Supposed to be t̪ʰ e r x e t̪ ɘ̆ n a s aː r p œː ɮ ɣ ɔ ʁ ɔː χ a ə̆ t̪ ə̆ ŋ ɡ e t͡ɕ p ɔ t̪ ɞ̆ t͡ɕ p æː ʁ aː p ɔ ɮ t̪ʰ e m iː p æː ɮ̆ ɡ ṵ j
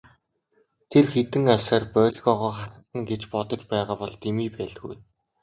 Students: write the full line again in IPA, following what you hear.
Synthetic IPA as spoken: t̪ʰ e r x e t̪ ɘ̆ ŋ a s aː r p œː ɮ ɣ ɔ ʁ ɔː χ a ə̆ t̪ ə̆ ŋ ɡ e t͡ɕ p ɔ t̪ ɞ̆ t͡ɕ p æː ʁ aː p ɔ ɮ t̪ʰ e m iː p æː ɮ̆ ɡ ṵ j